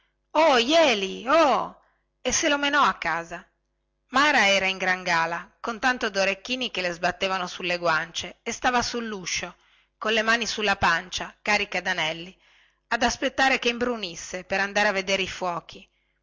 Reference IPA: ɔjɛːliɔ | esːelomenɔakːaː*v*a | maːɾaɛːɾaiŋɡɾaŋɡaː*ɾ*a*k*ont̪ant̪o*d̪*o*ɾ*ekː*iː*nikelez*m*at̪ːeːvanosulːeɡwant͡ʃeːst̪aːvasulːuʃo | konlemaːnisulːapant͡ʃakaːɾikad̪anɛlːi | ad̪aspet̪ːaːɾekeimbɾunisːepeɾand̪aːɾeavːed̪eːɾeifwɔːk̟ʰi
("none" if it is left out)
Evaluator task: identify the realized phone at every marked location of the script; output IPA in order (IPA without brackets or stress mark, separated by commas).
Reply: z, l, k, d̪, ɾ, iː, b